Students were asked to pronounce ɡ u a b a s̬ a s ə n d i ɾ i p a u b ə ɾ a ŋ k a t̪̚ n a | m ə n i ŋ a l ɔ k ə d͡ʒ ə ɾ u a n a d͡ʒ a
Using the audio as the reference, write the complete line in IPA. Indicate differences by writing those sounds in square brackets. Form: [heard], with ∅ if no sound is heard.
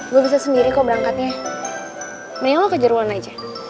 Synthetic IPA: ɡ u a b [i] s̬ a s ə n d i ɾ i [k] a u b ə ɾ a ŋ k a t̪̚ [ɲ] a | m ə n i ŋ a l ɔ k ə d͡ʒ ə ɾ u a n a d͡ʒ a